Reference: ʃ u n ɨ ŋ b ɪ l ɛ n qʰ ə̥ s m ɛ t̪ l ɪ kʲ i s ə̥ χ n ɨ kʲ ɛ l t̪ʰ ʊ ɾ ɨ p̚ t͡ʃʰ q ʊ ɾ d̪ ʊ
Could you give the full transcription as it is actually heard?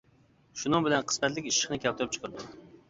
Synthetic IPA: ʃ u n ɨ ŋ b ɪ l ɛ n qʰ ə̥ s m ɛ t̪ l ɪ kʲ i ʃ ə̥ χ n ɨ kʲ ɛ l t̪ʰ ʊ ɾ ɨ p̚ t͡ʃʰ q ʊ ɾ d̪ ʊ